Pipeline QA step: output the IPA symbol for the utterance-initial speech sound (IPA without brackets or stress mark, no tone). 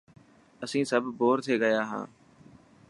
ə